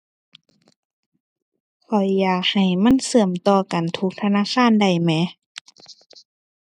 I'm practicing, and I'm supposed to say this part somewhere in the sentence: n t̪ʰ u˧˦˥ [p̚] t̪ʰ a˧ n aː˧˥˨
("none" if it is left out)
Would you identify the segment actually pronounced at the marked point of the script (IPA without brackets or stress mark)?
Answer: k̚